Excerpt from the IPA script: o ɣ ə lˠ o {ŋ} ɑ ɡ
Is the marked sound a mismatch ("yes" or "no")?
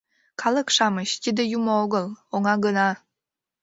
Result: no